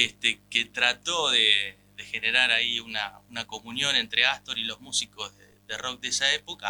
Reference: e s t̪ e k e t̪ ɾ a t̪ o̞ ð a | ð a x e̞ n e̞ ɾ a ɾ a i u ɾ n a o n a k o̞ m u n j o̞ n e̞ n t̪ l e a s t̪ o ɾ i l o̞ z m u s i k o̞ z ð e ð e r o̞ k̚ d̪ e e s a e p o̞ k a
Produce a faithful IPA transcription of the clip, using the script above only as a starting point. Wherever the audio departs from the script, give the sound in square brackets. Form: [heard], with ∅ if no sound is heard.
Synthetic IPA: e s t̪ e k e t̪ ɾ a t̪ o̞ ð [e] | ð [e] x e̞ n e̞ ɾ a ɾ a i u [∅] n a [u] n a k o̞ m u n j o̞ n e̞ n t̪ [ɾ] e a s t̪ o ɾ i l o̞ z m u s i k o̞ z ð e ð e r o̞ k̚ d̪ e e s a e p o̞ k a